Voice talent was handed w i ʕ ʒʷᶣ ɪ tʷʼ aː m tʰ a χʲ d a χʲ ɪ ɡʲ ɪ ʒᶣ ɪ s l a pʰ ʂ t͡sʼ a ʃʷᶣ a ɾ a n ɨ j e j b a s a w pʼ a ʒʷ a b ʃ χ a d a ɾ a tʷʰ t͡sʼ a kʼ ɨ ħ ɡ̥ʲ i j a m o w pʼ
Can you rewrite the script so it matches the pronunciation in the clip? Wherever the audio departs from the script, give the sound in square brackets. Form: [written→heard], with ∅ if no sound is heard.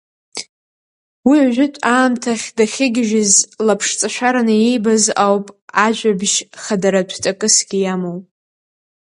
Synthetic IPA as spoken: w i ʕ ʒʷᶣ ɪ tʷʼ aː m tʰ a χʲ d a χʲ ɪ ɡʲ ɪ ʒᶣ ɪ [s→z] l a pʰ ʂ t͡sʼ a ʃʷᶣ a ɾ a n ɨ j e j b a [s→z] a w pʼ a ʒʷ a b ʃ χ a d a ɾ a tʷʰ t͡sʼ a kʼ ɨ [ħ→s] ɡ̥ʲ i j a m o w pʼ

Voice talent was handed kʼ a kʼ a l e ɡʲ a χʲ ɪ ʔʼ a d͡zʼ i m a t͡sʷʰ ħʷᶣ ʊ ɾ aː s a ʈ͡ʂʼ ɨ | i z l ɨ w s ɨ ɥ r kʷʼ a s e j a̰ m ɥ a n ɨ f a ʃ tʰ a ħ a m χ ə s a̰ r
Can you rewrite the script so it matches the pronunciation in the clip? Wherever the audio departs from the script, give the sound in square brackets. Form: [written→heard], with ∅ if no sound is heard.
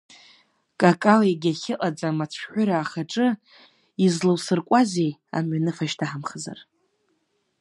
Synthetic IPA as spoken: kʼ a kʼ a l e ɡʲ a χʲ ɪ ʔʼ a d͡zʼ [i→a] m a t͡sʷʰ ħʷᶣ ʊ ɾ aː [s→χ] a ʈ͡ʂʼ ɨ | i z l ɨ w s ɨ [ɥ→∅] r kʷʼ a [s→z] e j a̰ m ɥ a n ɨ f a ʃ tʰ a ħ a m χ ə [s→z] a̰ r

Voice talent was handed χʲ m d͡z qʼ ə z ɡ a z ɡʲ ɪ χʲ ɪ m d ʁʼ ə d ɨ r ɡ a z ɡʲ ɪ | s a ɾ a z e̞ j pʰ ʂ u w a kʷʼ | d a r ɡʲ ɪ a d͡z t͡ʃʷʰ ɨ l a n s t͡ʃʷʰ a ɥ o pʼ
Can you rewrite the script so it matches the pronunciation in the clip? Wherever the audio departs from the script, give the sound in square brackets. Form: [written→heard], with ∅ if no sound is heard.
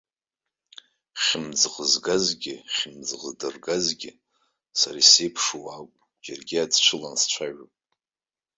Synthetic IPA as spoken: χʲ m d͡z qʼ ə z ɡ a z ɡʲ ɪ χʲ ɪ m [d→d͡z] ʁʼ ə d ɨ r ɡ a z ɡʲ ɪ | s a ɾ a [z→s] e̞ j pʰ ʂ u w a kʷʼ | [d→d͡ʒ] a r ɡʲ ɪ a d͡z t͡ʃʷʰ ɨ l a n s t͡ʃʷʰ a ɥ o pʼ

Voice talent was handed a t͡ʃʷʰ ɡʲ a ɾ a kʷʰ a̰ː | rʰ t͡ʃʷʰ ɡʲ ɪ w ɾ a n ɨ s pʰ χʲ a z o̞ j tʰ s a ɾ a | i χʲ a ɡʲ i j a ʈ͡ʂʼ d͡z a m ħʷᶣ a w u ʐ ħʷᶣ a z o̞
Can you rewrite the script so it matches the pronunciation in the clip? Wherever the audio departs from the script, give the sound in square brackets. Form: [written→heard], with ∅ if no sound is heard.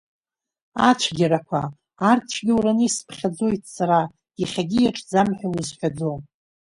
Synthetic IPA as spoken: a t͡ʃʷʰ ɡʲ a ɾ a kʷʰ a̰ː | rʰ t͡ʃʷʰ ɡʲ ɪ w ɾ a n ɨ s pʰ χʲ a [z→d͡z] o̞ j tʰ s a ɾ a | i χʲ a ɡʲ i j a ʈ͡ʂʼ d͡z a m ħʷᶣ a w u [ʐ→z] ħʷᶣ a [z→d͡z] o̞

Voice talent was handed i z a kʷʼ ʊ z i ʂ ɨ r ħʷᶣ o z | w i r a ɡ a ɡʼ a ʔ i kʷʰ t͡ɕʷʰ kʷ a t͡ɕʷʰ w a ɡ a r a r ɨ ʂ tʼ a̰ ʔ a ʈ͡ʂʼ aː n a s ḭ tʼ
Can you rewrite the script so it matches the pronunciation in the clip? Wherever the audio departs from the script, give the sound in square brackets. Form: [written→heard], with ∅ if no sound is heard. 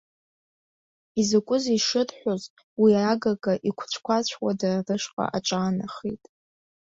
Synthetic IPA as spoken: i z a kʷʼ ʊ z i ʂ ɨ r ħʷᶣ o z | w i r a ɡ a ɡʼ a ʔ i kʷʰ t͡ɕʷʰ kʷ a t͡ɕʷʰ w a [ɡ→d] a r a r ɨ ʂ [tʼ→qʼ] a̰ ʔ a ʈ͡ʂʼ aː n a [s→χ] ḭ tʼ

